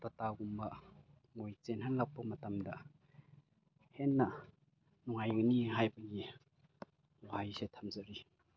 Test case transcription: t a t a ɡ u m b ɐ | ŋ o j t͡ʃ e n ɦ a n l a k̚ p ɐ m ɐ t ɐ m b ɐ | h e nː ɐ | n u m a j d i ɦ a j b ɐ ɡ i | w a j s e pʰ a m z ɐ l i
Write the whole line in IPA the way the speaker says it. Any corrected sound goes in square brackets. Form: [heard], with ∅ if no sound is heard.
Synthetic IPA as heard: t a t a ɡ u m b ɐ | ŋ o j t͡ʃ e n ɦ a n l a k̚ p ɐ m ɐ t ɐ m [d] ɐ | h e nː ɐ | n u [ŋ] a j [n] i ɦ a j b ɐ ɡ i | w a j s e [tʰ] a m z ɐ [ɾ] i